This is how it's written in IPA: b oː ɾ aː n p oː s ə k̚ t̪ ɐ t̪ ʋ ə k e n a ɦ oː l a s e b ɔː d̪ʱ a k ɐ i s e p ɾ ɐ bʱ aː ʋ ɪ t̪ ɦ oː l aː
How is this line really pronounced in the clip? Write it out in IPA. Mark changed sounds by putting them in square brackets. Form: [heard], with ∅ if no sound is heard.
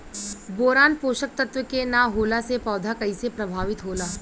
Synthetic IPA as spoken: b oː ɾ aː n p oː [ʃ] ə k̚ t̪ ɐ t̪ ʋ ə k e n a ɦ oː l a s e [p] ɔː d̪ʱ a k ɐ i s e p ɾ ɐ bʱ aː ʋ ɪ t̪ ɦ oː l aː